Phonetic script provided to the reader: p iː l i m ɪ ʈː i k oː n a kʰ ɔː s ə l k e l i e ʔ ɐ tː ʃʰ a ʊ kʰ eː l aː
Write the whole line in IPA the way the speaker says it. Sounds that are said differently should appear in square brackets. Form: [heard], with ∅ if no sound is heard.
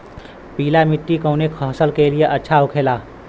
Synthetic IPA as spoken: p iː l [a] m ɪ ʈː i k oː n [e] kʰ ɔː s ə l k e l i e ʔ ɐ tː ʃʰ a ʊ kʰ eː l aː